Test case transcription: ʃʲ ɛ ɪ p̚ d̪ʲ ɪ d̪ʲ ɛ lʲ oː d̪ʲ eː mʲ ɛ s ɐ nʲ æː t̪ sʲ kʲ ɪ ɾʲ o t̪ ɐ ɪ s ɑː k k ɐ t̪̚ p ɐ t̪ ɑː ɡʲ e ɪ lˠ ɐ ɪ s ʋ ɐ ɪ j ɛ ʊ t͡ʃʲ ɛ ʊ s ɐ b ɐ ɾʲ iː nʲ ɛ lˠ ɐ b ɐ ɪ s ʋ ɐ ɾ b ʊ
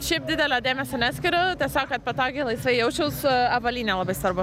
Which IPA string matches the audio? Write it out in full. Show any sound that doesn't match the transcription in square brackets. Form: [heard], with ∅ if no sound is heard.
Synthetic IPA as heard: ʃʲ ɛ ɪ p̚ d̪ʲ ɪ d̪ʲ ɛ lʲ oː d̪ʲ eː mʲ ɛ s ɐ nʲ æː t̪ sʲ kʲ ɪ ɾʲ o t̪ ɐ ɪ s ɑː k k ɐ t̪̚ p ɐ t̪ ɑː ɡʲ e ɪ lˠ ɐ ɪ s ʋ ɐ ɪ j ɛ ʊ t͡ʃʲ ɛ ʊ s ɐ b ɐ [lʲ] iː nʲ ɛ lˠ ɐ b ɐ ɪ s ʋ ɐ ɾ b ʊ

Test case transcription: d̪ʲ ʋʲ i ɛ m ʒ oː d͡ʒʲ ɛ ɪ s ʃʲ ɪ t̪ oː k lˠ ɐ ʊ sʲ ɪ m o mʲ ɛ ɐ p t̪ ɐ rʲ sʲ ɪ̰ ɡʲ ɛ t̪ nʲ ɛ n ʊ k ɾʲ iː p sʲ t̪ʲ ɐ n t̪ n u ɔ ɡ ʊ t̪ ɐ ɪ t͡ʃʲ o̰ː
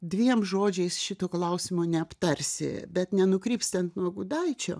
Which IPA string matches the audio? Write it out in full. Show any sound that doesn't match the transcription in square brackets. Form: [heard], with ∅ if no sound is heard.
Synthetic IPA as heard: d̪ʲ ʋʲ i ɛ m ʒ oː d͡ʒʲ ɛ ɪ s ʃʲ ɪ t̪ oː k lˠ ɐ ʊ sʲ ɪ m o [nʲ] ɛ ɐ p t̪ ɐ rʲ sʲ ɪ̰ [bʲ] ɛ t̪ nʲ ɛ n ʊ k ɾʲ iː p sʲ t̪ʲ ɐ n t̪ n u ɔ ɡ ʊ [d̪] ɐ ɪ t͡ʃʲ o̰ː

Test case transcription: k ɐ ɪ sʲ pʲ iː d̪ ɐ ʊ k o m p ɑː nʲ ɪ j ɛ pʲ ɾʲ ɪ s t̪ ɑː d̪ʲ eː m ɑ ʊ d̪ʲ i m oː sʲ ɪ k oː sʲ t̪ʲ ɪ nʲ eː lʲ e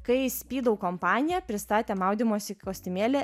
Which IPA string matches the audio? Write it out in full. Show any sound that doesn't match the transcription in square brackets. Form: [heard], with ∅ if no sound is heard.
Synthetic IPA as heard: k ɐ ɪ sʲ pʲ iː d̪ ɐ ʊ k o m p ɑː nʲ ɪ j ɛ pʲ ɾʲ ɪ s t̪ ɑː [t̪ʲ] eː m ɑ ʊ d̪ʲ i m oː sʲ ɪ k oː sʲ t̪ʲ ɪ [mʲ] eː lʲ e

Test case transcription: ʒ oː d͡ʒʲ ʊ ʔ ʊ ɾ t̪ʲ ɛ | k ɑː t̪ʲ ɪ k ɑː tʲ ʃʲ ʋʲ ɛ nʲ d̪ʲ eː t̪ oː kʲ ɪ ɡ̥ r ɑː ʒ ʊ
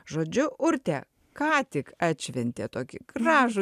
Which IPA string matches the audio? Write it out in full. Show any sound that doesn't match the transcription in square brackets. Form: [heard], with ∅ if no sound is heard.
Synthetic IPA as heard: ʒ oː d͡ʒʲ ʊ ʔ ʊ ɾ t̪ʲ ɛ | k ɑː t̪ʲ ɪ k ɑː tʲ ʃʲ ʋʲ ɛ nʲ [t̪ʲ] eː t̪ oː kʲ ɪ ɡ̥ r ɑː ʒ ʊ

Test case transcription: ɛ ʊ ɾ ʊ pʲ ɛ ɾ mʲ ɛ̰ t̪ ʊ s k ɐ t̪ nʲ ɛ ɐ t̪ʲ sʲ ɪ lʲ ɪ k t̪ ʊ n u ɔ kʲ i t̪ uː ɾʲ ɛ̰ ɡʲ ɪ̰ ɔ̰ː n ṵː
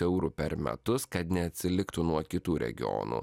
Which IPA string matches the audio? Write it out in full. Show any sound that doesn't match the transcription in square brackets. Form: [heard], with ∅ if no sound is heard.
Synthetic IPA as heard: ɛ ʊ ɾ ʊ pʲ ɛ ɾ mʲ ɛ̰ t̪ ʊ s k ɐ t̪ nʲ ɛ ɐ t̪ʲ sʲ ɪ lʲ ɪ k t̪ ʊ n u ɔ kʲ [ɪ] t̪ uː ɾʲ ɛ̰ ɡʲ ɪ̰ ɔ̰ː n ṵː

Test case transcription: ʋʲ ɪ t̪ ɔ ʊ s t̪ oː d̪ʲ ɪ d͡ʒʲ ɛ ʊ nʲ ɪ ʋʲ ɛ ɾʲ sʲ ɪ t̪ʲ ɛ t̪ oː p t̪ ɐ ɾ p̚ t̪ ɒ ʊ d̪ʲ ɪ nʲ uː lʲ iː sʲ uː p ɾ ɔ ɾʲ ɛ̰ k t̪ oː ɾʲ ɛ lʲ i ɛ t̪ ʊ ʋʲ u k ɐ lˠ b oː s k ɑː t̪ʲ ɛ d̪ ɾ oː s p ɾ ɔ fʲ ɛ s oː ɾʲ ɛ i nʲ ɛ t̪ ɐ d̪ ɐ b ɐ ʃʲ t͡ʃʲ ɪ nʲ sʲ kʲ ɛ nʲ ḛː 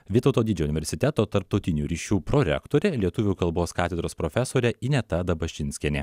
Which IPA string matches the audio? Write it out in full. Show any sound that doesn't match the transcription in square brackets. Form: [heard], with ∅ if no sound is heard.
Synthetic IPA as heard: ʋʲ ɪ t̪ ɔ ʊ [∅] t̪ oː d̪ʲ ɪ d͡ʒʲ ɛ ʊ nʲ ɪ ʋʲ ɛ ɾʲ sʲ ɪ t̪ʲ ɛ t̪ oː p t̪ ɐ ɾ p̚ t̪ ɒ ʊ [t̪ʲ] ɪ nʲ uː [ɾʲ] iː [ʃʲ] uː p ɾ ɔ ɾʲ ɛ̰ k t̪ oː ɾʲ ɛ lʲ i ɛ t̪ ʊ ʋʲ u k ɐ lˠ b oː s k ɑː t̪ʲ ɛ d̪ ɾ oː s p ɾ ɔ fʲ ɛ s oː ɾʲ ɛ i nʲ ɛ t̪ ɐ d̪ ɐ b ɐ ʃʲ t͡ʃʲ ɪ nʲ sʲ kʲ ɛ nʲ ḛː

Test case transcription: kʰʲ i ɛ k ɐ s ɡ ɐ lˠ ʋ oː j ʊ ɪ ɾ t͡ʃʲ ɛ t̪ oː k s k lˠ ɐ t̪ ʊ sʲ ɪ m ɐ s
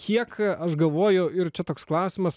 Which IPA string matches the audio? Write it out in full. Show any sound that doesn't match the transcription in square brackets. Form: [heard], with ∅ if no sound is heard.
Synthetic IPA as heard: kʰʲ i ɛ k ɐ [ʃ] ɡ ɐ lˠ ʋ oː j ʊ ɪ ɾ t͡ʃʲ ɛ t̪ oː k s k lˠ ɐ [∅] ʊ sʲ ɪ m ɐ s

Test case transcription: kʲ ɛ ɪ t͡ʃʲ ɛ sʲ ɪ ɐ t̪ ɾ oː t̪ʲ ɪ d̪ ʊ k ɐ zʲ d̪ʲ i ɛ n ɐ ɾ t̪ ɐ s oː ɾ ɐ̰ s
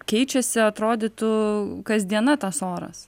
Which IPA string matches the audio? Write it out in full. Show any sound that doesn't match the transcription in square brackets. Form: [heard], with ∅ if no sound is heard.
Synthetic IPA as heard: kʲ ɛ ɪ t͡ʃʲ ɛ sʲ ɪ ɐ t̪ ɾ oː [d̪ʲ] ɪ [t̪] ʊ k ɐ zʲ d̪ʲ i ɛ n ɐ [∅] t̪ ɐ s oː ɾ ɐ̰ s

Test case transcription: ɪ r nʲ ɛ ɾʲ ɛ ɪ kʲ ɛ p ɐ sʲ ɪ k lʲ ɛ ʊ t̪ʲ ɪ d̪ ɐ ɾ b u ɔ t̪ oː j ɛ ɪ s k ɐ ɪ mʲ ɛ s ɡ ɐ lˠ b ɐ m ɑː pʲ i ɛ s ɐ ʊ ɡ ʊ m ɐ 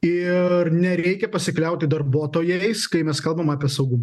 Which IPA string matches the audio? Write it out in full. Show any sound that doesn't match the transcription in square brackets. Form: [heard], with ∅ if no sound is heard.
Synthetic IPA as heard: ɪ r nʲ ɛ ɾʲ ɛ ɪ kʲ ɛ p ɐ sʲ ɪ k lʲ ɛ ʊ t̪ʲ ɪ d̪ ɐ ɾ b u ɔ t̪ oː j ɛ ɪ s k ɐ ɪ mʲ ɛ s [k] ɐ lˠ b ɐ m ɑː pʲ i ɛ s ɐ ʊ ɡ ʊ m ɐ

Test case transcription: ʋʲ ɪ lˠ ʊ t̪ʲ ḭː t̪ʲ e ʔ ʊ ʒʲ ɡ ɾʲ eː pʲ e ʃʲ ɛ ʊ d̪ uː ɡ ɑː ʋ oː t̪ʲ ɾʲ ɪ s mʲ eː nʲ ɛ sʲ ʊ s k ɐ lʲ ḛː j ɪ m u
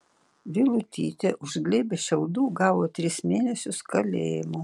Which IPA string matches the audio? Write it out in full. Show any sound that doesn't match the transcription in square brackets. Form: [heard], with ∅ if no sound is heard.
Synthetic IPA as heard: ʋʲ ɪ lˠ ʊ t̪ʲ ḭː t̪ʲ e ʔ ʊ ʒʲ ɡ [lʲ] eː [bʲ] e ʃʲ ɛ ʊ d̪ uː ɡ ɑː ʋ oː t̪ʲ ɾʲ ɪ s mʲ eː nʲ ɛ sʲ ʊ s k ɐ lʲ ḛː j ɪ m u

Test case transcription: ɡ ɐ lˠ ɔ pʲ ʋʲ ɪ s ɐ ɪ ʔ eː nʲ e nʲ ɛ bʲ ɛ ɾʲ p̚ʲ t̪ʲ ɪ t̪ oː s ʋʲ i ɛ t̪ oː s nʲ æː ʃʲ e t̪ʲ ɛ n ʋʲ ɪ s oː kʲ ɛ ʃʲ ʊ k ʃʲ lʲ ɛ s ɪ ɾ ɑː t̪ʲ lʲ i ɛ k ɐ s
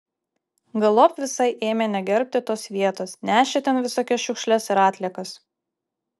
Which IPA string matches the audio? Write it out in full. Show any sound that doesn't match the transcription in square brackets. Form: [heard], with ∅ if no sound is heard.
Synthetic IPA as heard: ɡ ɐ lˠ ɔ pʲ ʋʲ ɪ s ɐ ɪ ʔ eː [mʲ] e nʲ ɛ [ɡʲ] ɛ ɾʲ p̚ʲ t̪ʲ ɪ t̪ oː s ʋʲ i ɛ t̪ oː s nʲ æː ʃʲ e t̪ʲ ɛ n ʋʲ ɪ s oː kʲ ɛ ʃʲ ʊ k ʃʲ lʲ ɛ s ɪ ɾ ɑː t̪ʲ lʲ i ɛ k ɐ s

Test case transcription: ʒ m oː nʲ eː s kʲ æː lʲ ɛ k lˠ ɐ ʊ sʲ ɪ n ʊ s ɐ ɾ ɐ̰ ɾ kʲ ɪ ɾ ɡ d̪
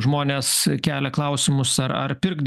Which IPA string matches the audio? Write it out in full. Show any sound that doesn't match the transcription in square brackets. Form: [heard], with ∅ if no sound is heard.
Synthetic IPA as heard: ʒ m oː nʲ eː s kʲ æː lʲ ɛ k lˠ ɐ ʊ sʲ ɪ [m] ʊ s ɐ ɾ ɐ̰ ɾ [pʲ] ɪ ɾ ɡ d̪

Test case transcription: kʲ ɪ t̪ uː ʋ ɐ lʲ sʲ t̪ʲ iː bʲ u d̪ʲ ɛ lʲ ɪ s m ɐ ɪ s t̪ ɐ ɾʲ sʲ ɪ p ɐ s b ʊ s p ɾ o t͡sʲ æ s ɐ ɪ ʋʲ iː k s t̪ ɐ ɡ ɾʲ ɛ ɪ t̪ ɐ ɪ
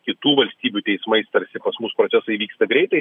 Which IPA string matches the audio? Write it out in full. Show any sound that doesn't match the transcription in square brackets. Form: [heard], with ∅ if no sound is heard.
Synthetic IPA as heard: kʲ ɪ t̪ uː ʋ ɐ lʲ sʲ t̪ʲ iː bʲ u [t̪ʲ] ɛ [∅] ɪ s m ɐ ɪ s t̪ ɐ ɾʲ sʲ ɪ p ɐ s [m] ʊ s p ɾ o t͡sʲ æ s ɐ ɪ ʋʲ iː k s t̪ ɐ ɡ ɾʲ ɛ ɪ t̪ ɐ ɪ

